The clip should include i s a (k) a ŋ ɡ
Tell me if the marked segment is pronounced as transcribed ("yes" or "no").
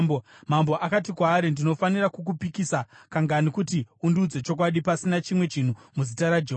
yes